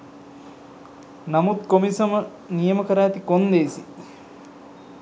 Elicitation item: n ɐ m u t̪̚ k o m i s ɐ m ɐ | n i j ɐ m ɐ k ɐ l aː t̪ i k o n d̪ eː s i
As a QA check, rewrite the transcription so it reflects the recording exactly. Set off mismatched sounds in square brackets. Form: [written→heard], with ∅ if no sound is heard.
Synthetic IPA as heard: n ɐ m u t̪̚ k o m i s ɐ m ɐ | n i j ɐ m ɐ k ɐ [l→ɾ] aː t̪ i k o n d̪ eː s i